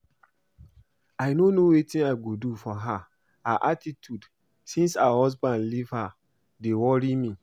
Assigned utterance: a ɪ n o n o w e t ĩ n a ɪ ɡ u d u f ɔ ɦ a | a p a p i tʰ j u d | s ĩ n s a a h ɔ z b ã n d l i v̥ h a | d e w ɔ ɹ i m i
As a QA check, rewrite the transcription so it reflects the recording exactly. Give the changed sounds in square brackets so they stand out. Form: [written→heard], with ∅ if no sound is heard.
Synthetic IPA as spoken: a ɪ n o n o w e t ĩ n a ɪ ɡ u d u f ɔ ɦ a | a [p→ʔ] a [p→t] i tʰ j u d | s ĩ n s a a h ɔ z b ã n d l i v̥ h a | d e w ɔ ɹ i m i

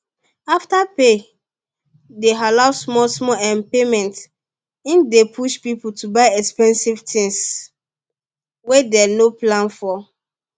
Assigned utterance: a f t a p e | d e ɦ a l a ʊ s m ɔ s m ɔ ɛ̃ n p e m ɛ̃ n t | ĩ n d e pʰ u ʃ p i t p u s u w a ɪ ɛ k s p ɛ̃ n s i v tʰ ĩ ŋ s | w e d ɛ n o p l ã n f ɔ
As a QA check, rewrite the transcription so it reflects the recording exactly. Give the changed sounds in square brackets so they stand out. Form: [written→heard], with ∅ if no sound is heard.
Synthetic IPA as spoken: a f t a p e | d e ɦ a l a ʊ s m ɔ s m ɔ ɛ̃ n p e m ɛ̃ n t | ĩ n d e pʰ u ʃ p i [t→∅] p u [s→t] u [w→b] a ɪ ɛ k s p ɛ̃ n s i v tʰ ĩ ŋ s | w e d ɛ n o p l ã n f ɔ

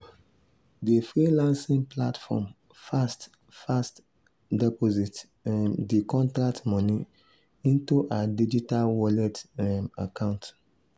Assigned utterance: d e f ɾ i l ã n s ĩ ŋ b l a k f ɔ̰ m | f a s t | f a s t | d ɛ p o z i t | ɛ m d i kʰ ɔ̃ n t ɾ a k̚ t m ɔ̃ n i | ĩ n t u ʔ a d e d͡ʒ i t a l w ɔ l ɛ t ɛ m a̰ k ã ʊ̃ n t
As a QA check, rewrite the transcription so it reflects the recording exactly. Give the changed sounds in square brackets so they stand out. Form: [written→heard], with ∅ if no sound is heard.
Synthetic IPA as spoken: d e f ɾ i l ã n s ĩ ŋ [b→p] l a [k→t] f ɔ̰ m | f a s t | f a s t | d ɛ p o z i t | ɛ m d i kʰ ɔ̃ n t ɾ a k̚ t m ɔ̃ n i | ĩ n t u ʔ a d [e→i] d͡ʒ i t a l w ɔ l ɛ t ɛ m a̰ k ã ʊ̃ n t

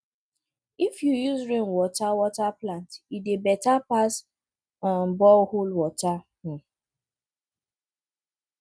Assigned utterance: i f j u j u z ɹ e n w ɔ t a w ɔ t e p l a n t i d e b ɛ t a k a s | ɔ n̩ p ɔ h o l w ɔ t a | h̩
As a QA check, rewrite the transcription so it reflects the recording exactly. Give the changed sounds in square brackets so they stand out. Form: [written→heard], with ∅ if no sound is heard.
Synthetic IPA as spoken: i f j u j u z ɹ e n w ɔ t a w ɔ t [e→a] p l a n t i d e b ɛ t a [k→p] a s | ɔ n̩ [p→b] ɔ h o l w ɔ t a | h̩

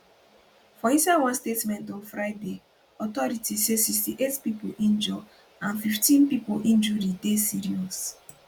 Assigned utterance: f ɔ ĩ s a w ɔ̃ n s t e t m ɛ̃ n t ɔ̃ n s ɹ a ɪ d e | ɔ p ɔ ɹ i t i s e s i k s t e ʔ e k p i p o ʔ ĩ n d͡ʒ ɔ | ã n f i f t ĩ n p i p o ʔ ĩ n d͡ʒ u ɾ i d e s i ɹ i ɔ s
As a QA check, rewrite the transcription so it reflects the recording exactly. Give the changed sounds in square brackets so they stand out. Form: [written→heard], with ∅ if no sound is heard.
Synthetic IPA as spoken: f ɔ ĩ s a w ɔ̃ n s t e t m ɛ̃ n t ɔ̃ n [s→f] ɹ a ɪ d e | ɔ [p→t] ɔ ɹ i t i s e s i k s t [e→i] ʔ e [k→t] p i p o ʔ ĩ n d͡ʒ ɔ | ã n f i f t ĩ n p i p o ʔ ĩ n d͡ʒ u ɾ i d e s i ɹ i ɔ s

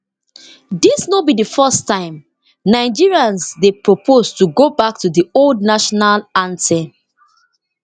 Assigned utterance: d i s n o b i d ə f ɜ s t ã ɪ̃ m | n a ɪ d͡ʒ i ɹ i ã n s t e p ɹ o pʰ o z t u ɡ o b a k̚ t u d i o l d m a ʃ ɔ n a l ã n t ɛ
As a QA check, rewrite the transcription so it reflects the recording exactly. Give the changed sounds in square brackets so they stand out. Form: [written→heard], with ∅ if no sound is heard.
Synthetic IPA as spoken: d i s n o b i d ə f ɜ s t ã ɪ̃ m | n a ɪ d͡ʒ i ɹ i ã n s [t→d] e p ɹ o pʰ o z t u ɡ o b a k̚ t u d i o l d [m→n] a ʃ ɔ n a l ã n t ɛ

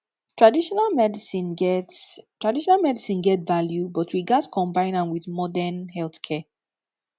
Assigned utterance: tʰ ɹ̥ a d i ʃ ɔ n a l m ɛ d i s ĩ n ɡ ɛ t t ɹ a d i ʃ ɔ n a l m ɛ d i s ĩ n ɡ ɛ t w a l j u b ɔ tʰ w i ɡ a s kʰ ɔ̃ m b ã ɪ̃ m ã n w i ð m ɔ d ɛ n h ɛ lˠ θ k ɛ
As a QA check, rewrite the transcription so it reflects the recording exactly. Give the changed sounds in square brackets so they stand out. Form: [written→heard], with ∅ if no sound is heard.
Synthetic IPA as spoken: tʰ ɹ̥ a d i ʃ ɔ n a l m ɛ d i s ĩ n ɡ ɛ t t ɹ a d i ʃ ɔ n a l m ɛ d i s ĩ n ɡ ɛ t [w→v] a l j u b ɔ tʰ w i ɡ a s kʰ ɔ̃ m b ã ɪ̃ [m→n] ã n w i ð m ɔ d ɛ n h ɛ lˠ θ [k→kʰ] ɛ

